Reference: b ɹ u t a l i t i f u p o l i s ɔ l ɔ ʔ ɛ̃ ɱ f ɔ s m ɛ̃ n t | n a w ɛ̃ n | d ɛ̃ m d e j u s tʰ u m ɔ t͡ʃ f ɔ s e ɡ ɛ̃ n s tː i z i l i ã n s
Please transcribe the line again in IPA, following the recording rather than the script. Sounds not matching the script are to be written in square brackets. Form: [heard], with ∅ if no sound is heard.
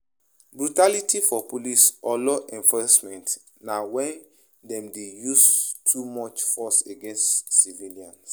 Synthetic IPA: b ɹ u t a l i t i f [ɔ] p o l i s ɔ l ɔ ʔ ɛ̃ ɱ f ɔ s m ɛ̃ n t | n a w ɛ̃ n | d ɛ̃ m d e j u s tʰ u m ɔ t͡ʃ f ɔ s e ɡ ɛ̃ n s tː i [v] i l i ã n s